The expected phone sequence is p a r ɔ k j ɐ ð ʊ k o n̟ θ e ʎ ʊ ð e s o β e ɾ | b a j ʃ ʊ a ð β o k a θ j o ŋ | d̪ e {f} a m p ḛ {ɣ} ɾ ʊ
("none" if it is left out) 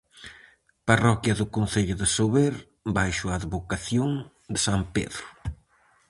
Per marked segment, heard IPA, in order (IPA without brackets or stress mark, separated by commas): s, ð